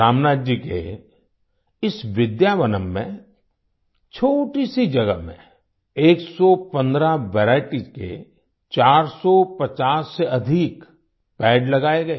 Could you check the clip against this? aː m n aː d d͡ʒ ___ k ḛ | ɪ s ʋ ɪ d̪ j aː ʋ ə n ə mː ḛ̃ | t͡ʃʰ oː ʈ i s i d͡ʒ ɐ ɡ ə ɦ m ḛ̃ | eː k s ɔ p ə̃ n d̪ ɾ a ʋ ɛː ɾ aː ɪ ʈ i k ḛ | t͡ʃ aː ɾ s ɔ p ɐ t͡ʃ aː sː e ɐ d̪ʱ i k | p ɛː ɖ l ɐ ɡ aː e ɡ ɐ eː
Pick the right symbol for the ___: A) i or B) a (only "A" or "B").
A